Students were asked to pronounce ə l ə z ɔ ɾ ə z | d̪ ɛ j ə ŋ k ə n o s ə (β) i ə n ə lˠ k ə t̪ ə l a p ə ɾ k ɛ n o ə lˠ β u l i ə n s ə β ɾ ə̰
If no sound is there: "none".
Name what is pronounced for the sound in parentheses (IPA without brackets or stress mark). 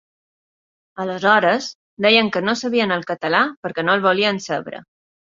β